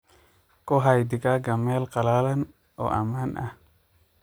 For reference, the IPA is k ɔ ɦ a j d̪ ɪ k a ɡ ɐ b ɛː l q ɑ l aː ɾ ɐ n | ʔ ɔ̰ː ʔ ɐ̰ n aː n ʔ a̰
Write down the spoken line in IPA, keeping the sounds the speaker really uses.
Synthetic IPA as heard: k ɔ ɦ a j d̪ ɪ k a ɡ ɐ m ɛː l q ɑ l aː l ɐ n | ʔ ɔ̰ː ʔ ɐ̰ m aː n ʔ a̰